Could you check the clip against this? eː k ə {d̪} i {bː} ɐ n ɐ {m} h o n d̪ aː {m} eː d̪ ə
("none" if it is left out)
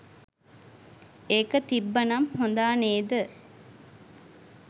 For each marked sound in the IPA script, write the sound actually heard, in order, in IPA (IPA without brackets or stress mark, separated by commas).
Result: t̪, bː, m, n